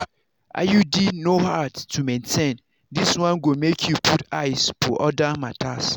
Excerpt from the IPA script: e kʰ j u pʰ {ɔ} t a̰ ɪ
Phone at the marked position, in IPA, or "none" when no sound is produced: u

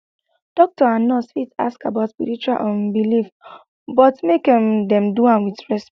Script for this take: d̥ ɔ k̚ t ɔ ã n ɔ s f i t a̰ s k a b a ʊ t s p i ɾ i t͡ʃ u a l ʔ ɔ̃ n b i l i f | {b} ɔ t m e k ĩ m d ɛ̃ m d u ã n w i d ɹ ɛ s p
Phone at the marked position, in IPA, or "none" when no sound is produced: b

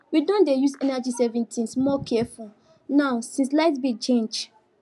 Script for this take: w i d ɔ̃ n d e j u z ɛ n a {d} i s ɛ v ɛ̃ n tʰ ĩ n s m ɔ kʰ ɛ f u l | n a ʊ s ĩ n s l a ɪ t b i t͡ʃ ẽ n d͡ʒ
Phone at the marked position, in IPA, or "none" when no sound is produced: d͡ʒ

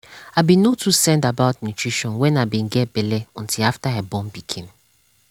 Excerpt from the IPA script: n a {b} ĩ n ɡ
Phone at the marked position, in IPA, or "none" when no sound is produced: b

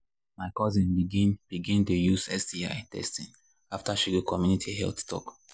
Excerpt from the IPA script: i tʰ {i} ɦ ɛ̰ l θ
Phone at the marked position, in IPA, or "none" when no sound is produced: i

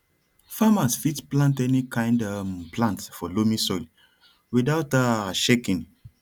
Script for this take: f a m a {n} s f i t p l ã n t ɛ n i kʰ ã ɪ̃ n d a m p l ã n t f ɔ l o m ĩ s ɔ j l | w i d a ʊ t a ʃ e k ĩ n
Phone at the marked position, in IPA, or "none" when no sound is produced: none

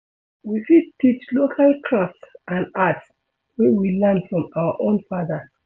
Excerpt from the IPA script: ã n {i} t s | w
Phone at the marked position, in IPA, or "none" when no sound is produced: a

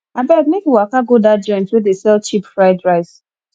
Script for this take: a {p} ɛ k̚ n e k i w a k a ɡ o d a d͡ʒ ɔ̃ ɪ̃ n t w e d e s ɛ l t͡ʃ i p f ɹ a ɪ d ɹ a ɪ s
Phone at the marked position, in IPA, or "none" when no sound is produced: b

